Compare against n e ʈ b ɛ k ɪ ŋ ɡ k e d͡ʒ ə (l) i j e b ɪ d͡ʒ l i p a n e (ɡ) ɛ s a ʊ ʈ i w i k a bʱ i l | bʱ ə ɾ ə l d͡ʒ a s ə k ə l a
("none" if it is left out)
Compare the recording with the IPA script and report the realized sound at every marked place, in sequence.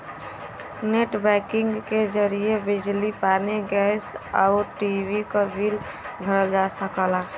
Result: ɾ, ɡ

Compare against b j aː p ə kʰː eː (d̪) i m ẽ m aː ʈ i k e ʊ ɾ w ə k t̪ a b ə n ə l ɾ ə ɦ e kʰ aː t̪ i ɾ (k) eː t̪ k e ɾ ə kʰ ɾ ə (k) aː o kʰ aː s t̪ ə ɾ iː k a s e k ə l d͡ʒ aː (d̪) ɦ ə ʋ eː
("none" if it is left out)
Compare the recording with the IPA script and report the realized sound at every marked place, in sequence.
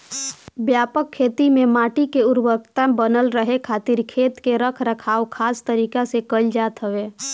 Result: t̪, kʰ, kʰ, t̪

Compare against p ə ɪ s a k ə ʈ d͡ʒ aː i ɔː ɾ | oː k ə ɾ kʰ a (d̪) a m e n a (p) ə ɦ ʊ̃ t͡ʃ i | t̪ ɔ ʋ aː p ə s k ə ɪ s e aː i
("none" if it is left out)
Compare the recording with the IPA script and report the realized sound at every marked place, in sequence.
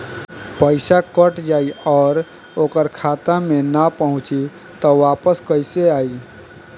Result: t̪, p

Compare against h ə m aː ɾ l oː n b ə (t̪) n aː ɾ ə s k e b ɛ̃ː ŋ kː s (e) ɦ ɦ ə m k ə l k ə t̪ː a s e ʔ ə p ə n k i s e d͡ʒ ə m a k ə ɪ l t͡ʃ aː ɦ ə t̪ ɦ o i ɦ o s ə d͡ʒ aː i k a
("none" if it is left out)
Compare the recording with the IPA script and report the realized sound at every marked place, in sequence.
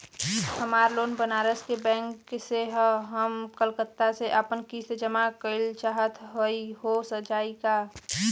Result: none, e

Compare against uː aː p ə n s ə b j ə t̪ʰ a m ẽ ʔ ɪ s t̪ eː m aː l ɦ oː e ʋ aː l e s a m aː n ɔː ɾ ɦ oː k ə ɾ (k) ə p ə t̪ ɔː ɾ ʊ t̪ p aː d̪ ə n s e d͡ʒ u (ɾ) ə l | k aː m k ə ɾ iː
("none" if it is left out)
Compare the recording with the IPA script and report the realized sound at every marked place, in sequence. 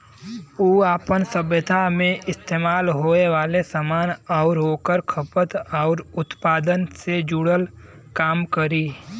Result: kʰ, ɽ

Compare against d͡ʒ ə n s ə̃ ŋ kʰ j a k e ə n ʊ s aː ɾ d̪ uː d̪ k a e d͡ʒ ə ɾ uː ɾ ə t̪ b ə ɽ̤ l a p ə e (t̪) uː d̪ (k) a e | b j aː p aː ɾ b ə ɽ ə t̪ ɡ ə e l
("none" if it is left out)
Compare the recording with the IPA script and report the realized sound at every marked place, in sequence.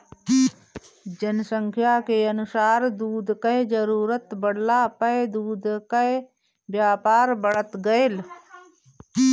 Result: d̪, k

